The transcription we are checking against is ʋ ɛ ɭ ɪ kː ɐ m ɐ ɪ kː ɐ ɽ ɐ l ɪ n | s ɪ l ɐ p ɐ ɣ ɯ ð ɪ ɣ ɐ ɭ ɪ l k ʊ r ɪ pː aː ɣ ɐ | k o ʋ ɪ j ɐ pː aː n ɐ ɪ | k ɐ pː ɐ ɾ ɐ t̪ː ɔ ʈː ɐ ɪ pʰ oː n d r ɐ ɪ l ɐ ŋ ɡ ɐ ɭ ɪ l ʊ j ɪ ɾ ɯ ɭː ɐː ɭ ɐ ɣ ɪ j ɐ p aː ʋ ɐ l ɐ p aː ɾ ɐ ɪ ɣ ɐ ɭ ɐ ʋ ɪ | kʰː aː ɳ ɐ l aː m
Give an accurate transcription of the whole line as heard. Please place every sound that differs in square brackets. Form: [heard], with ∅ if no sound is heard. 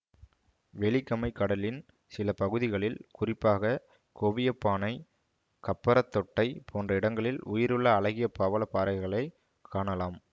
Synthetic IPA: ʋ ɛ ɭ ɪ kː ɐ m ɐ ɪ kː ɐ ɽ ɐ l ɪ n | s ɪ l ɐ p ɐ ɣ ɯ ð ɪ ɣ ɐ ɭ ɪ l k ʊ r ɪ pː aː ɣ ɐ | k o ʋ ɪ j ɐ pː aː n ɐ ɪ | k ɐ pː ɐ ɾ ɐ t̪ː ɔ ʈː ɐ ɪ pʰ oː n d r ɐ ɪ [ɽ] ɐ ŋ ɡ ɐ ɭ ɪ l ʊ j ɪ ɾ ɯ ɭː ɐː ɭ ɐ ɣ ɪ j ɐ p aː ʋ ɐ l ɐ p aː ɾ ɐ ɪ ɣ ɐ ɭ ɐ [∅] ɪ | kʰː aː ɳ ɐ l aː m